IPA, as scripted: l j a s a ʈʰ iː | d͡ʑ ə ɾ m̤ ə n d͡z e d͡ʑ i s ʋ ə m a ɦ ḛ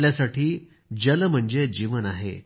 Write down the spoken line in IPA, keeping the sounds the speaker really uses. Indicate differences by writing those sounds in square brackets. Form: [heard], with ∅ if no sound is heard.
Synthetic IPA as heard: l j a s a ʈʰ iː | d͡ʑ ə [l] m̤ ə [ɳ] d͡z e d͡ʑ i [∅] ʋ ə [n] a ɦ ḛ